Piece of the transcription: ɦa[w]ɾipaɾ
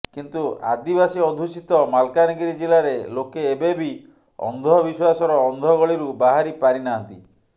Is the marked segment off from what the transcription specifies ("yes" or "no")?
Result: yes